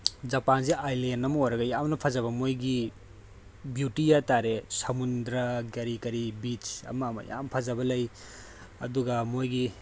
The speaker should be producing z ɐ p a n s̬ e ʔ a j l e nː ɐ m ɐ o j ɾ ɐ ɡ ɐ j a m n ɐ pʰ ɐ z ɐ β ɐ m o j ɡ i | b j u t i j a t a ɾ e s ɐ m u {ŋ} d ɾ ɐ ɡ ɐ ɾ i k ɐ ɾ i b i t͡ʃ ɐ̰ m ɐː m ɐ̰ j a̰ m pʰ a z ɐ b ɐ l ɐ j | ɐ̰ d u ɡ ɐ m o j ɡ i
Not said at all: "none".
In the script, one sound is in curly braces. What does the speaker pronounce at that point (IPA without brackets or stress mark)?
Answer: n